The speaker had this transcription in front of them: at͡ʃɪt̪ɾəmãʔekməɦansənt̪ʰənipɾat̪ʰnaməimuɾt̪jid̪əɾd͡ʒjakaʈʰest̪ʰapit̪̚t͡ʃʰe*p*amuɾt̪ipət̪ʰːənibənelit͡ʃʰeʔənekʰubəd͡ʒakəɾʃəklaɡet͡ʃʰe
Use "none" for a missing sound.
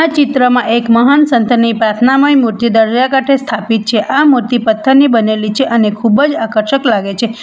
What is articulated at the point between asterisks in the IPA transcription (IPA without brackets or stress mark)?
ʔ